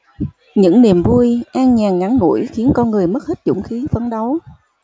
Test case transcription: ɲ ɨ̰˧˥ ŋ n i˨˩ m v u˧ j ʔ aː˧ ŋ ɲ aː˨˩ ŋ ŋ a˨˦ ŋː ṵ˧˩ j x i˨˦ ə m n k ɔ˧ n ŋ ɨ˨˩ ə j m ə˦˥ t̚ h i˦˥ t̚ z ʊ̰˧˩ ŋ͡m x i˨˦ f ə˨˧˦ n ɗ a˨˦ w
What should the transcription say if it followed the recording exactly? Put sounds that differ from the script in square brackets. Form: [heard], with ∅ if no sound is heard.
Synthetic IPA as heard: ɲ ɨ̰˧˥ ŋ n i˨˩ m v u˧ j ʔ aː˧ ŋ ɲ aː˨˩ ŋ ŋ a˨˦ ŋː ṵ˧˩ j x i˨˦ ə [∅] n k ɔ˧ n ŋ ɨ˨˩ ə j m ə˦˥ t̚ h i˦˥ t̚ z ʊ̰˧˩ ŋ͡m x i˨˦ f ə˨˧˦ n ɗ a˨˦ w